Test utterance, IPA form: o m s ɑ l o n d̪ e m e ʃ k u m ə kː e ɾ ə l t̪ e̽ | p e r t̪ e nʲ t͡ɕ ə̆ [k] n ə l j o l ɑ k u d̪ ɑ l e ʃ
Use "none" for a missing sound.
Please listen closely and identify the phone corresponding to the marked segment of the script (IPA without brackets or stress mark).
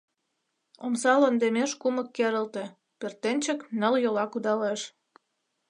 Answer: k